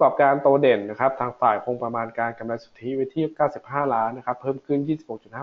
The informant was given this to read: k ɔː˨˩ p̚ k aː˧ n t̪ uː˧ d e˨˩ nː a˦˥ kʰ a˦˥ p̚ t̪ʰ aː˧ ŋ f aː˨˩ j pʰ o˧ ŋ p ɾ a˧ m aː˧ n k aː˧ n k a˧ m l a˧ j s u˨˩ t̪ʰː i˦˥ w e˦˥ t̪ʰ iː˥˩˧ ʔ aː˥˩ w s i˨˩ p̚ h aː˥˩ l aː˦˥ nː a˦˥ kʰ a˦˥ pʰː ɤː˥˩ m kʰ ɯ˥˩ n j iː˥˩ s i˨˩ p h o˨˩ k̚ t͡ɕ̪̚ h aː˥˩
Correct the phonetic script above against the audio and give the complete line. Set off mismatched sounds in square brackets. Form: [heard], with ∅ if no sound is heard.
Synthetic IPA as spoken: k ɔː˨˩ p̚ k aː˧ n t̪ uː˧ d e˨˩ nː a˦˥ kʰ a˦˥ p̚ t̪ʰ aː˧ ŋ f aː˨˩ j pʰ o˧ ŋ p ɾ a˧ m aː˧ n k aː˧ n k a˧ m l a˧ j s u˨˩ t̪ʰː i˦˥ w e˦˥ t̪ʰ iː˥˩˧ [k] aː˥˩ w s i˨˩ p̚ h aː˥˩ l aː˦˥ nː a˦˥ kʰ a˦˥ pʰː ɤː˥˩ m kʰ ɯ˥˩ n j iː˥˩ s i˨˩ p h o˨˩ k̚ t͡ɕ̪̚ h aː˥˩